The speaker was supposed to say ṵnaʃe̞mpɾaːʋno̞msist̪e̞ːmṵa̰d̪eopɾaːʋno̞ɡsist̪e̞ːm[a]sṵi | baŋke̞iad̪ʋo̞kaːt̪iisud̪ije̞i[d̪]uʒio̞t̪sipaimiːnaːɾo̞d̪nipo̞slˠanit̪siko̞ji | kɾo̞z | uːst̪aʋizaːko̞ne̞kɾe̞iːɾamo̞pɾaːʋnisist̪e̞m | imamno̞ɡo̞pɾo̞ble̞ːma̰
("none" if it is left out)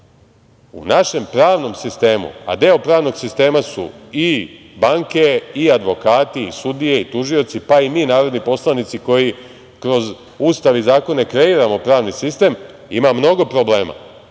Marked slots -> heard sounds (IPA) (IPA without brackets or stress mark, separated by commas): a, t̪